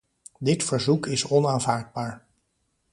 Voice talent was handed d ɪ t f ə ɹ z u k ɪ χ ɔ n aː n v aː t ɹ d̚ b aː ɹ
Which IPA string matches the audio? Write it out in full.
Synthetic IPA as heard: d ɪ t f ə ɹ z u k ɪ s ɔ n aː n v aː ɹ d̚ b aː ɹ